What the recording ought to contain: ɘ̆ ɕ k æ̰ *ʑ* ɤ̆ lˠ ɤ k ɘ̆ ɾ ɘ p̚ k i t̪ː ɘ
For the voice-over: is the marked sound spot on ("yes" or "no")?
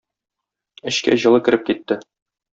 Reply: yes